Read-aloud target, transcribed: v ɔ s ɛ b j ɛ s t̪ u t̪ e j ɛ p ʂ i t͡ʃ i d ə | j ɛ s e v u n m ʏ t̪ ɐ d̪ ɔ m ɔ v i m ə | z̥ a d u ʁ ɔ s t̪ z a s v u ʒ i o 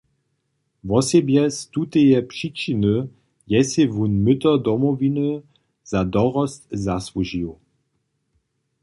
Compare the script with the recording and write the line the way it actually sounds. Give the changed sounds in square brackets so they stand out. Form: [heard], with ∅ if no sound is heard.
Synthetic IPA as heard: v ɔ s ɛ b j ɛ s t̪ u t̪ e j ɛ p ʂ i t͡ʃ i [n] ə | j ɛ s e v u n m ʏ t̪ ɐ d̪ ɔ m ɔ v i [n] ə | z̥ a d [ɔ] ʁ ɔ s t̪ z a s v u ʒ i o